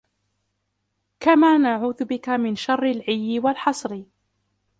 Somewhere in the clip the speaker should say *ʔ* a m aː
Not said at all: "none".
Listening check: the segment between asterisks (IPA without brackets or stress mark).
k